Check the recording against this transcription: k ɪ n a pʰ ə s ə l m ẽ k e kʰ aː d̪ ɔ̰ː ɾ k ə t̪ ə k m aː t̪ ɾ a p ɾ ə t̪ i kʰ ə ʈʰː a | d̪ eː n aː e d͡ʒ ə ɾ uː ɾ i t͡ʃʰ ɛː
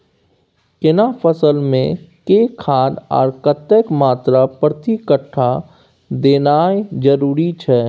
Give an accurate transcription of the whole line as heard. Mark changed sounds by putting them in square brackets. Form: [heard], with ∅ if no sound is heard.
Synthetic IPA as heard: k ɪ n a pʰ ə s ə l m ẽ k e kʰ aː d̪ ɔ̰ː ɾ k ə t̪ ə k m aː t̪ ɾ a p ɾ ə t̪ i [k] ə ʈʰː a | d̪ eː n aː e d͡ʒ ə ɾ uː ɾ i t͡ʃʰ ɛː